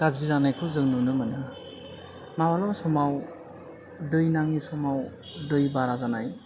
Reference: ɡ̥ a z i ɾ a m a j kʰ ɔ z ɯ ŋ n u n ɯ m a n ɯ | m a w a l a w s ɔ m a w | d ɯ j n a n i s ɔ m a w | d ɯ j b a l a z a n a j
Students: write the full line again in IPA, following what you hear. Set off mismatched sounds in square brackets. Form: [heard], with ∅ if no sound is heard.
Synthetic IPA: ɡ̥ a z i ɾ a [n] a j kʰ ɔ z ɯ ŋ n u n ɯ m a n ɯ | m a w a l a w s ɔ m a w | d ɯ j n a [ŋ] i s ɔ m a w | d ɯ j b a [ɾ] a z a n a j

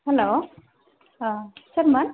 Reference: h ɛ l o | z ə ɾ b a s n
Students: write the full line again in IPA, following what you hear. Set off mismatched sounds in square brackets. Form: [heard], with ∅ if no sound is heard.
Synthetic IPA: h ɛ l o | [s] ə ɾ [m] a [∅] n

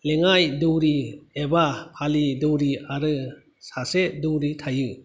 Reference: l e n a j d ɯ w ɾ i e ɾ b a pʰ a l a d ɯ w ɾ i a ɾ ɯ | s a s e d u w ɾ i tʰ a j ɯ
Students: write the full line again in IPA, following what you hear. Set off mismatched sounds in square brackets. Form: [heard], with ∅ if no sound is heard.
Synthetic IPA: l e [ŋ] a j d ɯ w ɾ i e [∅] b a pʰ a l [i] d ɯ w ɾ i a ɾ ɯ | s a s e d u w ɾ i tʰ a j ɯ

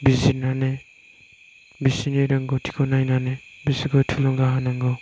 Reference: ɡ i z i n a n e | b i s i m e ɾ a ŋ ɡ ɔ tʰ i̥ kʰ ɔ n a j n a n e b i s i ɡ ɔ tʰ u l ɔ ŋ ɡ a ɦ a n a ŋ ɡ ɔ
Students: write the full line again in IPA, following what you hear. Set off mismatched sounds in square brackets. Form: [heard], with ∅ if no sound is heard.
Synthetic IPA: [b] i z i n a n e | b i s i [n] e ɾ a ŋ ɡ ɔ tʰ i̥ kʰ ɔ n a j n a n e b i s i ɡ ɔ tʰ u l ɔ ŋ ɡ a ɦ a n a ŋ ɡ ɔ

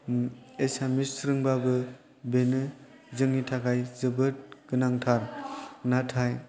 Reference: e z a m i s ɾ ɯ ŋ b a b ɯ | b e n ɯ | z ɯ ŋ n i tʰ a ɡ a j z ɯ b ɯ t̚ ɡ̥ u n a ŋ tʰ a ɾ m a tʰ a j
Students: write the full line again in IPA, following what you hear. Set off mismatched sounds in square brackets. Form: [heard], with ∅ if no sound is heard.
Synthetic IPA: e [s] a m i s ɾ ɯ ŋ b a b ɯ | b e n ɯ | z ɯ ŋ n i tʰ a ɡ a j z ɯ b ɯ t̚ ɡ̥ [ɯ] n a ŋ tʰ a ɾ [n] a tʰ a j

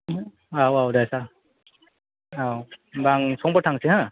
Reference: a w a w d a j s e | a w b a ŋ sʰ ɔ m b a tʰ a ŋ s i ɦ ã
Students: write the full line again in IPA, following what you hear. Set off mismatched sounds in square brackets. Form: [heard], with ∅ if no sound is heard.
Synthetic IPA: a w a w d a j s [a] | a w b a ŋ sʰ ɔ [ŋ] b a tʰ a ŋ s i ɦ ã

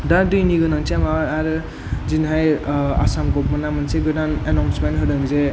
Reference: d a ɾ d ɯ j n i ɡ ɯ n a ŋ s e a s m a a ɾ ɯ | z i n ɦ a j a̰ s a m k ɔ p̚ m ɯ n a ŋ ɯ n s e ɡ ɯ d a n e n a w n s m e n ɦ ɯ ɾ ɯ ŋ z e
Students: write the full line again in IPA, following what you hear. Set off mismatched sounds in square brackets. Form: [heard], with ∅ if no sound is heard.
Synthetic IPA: d a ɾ d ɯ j n i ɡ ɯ n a ŋ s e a [∅] m a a ɾ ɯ | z i n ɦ a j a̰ s a m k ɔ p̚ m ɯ n a [m] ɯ n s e ɡ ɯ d a n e n a w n s m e n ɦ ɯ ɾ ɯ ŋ z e

